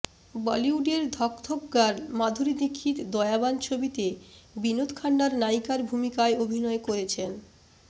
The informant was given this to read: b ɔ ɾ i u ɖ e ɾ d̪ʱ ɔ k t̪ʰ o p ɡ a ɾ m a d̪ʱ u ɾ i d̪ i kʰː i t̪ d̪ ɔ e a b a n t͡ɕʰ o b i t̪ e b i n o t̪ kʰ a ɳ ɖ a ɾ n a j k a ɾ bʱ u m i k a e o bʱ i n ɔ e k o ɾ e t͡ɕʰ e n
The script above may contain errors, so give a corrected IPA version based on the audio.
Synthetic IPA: b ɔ l i u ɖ e ɾ d̪ʱ ɔ k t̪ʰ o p ɡ a ɾ m a d̪ʱ u ɾ i d̪ i kʰː i t̪ d̪ ɔ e a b a n t͡ɕʰ o b i t̪ e b i n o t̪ kʰ a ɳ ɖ a ɾ n a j k a ɾ bʱ u m i k a e o bʱ i n ɔ e k o ɾ e t͡ɕʰ e n